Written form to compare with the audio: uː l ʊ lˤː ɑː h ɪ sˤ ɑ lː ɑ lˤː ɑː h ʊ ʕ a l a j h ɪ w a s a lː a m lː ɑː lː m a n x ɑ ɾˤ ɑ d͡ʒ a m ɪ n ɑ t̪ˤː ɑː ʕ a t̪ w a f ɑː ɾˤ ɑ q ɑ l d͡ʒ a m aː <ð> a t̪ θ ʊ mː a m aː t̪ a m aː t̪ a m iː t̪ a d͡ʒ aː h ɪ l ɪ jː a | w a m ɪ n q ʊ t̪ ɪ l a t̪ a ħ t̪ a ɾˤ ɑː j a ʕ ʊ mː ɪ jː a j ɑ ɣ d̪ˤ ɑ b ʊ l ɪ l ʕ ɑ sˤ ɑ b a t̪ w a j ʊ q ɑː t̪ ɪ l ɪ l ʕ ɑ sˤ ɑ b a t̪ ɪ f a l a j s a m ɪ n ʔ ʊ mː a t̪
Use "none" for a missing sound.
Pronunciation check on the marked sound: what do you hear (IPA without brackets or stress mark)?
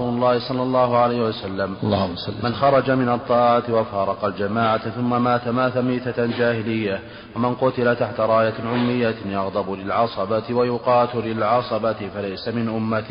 ʕ